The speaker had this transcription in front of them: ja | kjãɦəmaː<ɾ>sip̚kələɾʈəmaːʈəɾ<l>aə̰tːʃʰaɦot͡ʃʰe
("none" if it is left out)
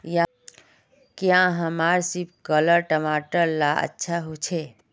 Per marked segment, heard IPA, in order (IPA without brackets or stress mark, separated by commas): ɾ, l